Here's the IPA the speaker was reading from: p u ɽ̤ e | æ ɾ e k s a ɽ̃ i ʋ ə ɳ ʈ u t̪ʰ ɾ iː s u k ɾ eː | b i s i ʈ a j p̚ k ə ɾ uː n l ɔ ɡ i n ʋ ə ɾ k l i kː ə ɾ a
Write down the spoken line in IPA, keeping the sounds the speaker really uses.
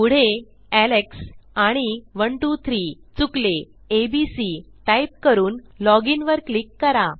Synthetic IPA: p u ɽ̤ e | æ l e k s a ɽ̃ i ʋ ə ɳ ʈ u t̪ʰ ɾ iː t͡s u k l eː | b i s i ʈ a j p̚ k ə ɾ uː n l ɔ ɡ i n ʋ ə ɾ k l i kː ə ɾ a